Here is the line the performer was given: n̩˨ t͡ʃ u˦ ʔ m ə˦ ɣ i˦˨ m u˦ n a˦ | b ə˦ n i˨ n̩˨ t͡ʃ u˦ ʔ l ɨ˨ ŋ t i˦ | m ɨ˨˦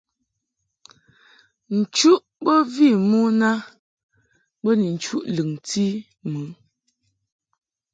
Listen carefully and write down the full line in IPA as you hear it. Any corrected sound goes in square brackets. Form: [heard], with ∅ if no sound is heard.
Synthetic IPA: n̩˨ t͡ʃ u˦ ʔ [b] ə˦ [v] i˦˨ m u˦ n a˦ | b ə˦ n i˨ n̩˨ t͡ʃ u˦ ʔ l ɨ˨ ŋ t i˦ | m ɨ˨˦

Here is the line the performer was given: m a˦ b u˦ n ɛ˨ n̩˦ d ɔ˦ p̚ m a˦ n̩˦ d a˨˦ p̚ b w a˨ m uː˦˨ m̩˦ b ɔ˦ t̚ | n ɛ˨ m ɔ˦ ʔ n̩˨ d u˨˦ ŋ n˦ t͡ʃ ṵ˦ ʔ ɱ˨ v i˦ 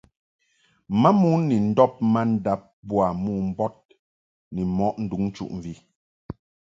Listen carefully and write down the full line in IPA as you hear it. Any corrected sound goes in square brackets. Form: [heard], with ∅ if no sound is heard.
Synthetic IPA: m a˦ [m] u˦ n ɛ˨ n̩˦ d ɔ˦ p̚ m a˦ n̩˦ d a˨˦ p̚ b w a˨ m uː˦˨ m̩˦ b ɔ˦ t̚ | n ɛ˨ m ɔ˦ ʔ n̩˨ d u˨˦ ŋ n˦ t͡ʃ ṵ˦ ʔ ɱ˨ v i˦

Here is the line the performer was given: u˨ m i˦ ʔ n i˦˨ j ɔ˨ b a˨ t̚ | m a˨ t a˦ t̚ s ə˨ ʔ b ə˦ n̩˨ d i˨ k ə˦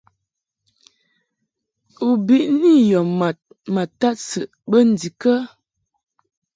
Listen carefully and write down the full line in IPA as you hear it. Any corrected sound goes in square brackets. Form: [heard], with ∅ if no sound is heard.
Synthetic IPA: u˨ [b] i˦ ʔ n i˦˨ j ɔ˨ [m] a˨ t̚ | m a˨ t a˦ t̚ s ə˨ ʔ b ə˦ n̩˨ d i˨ k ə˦

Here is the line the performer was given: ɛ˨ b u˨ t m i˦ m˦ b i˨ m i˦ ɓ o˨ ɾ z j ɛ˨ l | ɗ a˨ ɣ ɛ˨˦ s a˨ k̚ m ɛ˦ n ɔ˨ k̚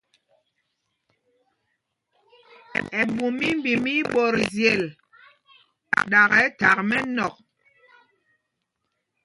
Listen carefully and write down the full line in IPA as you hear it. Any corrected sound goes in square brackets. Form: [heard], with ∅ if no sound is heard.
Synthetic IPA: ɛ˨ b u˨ [∅] m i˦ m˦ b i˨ m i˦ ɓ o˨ ɾ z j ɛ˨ l | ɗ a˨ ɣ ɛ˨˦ [t] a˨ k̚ m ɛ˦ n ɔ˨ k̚

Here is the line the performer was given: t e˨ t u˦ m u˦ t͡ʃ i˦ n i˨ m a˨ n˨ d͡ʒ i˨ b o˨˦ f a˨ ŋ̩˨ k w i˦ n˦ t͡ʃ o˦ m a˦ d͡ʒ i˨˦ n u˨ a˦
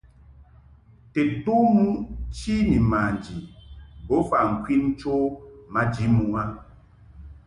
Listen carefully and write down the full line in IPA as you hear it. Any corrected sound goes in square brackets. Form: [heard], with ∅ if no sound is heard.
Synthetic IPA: t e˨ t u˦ m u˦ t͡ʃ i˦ n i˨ m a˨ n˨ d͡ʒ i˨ b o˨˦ f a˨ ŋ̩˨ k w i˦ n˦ t͡ʃ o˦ m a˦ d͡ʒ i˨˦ [m] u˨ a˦

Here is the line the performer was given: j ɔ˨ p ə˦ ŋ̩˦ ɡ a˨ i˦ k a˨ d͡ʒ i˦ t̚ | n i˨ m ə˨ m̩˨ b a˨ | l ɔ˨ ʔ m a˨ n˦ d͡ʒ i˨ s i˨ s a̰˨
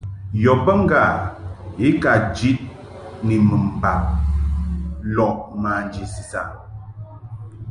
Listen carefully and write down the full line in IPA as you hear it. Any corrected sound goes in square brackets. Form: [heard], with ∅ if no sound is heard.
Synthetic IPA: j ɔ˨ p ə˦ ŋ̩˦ ɡ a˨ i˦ k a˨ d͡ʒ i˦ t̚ | n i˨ m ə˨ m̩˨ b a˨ | l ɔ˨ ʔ m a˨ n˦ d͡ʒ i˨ s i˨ s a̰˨

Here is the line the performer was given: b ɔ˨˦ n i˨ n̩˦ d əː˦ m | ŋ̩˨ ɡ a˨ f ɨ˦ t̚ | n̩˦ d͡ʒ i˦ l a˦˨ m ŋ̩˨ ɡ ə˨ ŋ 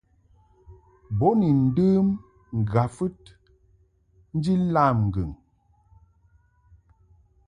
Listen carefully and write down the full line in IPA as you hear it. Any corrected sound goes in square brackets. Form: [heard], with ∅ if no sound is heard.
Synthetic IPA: b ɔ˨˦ n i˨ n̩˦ d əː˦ m | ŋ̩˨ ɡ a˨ f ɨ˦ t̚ | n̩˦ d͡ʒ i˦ l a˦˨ m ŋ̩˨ ɡ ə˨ ŋ

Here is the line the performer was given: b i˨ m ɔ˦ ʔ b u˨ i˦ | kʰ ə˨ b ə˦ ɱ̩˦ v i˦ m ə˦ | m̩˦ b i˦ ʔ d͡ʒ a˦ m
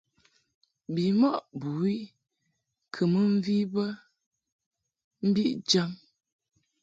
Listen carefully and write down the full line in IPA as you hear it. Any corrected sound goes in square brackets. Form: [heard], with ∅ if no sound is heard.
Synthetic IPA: b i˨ m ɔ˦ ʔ b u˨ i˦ | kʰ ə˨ [m] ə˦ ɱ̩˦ v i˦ [b] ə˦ | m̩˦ b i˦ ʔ d͡ʒ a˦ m

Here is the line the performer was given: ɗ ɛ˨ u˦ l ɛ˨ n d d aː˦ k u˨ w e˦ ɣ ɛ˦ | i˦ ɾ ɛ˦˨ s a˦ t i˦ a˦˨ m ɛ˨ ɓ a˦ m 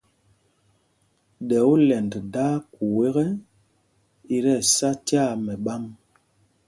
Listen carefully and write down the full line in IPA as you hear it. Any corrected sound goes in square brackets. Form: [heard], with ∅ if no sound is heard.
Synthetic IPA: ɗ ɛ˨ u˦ l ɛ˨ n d d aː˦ k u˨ w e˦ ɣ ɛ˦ | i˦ ɾ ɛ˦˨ s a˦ t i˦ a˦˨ m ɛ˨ ɓ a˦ m

